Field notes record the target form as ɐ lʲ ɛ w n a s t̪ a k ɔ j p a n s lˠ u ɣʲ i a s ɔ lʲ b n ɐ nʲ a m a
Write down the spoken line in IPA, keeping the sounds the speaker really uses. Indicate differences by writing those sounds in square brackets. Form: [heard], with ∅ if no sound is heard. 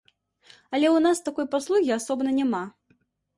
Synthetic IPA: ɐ lʲ ɛ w n a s t̪ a k ɔ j p a [∅] s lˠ u ɣʲ i a s ɔ [∅] b n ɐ nʲ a m a